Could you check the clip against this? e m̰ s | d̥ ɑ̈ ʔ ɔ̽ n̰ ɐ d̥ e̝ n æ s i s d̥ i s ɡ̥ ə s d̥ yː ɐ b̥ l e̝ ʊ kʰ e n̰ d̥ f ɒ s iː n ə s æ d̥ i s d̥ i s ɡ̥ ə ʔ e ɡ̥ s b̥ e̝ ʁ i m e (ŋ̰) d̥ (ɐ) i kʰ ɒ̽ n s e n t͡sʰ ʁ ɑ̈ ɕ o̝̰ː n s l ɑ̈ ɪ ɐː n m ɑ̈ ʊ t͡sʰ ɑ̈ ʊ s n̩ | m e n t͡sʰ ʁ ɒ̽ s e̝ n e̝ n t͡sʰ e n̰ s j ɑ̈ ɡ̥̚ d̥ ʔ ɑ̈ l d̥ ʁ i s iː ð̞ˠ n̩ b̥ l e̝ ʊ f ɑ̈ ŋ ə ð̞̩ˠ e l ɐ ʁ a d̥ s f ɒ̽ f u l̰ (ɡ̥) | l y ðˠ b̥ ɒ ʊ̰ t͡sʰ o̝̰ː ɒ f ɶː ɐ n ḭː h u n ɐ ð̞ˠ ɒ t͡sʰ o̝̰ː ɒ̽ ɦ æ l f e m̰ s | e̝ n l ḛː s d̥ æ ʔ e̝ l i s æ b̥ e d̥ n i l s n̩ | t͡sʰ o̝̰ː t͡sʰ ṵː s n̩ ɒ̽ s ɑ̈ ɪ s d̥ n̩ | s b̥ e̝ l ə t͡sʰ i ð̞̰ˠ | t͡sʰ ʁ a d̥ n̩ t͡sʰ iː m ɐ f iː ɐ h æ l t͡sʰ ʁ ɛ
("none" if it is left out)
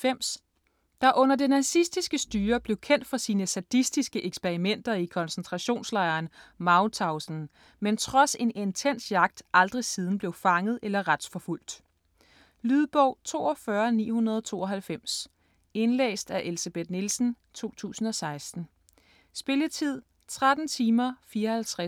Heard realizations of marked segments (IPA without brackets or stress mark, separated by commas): n̰, ɐ, d̥